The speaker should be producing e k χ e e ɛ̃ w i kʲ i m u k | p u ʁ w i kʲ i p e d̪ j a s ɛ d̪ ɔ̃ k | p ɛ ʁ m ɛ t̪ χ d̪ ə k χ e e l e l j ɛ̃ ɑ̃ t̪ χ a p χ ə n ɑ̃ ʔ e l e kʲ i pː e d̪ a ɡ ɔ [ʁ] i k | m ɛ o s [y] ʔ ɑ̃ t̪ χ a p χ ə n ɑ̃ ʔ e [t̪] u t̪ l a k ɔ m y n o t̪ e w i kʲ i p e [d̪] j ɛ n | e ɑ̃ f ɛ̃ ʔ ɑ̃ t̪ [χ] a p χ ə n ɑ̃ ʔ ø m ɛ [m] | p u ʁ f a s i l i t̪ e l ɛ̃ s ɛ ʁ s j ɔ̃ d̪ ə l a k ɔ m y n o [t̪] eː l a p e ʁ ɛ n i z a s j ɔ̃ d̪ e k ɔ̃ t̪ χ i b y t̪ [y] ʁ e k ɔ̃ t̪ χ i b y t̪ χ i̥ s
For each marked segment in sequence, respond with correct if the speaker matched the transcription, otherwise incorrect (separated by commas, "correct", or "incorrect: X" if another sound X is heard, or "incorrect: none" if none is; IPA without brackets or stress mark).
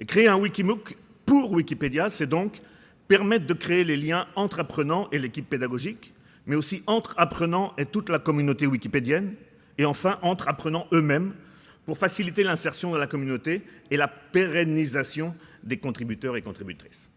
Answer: incorrect: ʒ, incorrect: i, correct, correct, correct, correct, correct, incorrect: œ